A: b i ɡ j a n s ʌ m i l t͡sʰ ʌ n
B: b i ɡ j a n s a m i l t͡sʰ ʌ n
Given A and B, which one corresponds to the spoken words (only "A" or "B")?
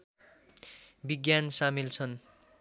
B